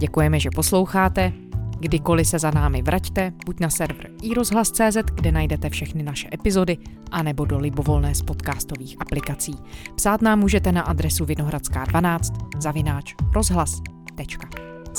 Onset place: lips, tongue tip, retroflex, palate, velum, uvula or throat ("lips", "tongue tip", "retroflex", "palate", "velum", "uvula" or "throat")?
palate